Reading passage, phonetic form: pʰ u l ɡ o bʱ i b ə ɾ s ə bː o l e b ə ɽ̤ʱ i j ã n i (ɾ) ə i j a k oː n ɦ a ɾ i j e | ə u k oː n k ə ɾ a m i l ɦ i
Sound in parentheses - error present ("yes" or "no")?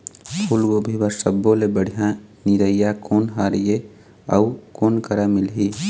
no